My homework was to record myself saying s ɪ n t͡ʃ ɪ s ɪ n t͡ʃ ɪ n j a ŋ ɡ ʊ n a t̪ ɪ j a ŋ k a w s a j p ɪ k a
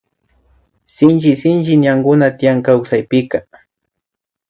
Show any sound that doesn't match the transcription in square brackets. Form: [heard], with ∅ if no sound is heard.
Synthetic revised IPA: s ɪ n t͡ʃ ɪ s ɪ n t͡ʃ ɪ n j a ŋ ɡ ʊ n a t̪ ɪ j a ŋ k a w s a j p ɪ k a